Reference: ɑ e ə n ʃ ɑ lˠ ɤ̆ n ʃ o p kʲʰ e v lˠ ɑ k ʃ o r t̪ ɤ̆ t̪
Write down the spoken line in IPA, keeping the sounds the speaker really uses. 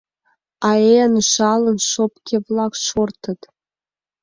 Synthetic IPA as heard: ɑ e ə n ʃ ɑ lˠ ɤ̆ n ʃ o p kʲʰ e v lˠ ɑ k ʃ o r t̪ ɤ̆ t̪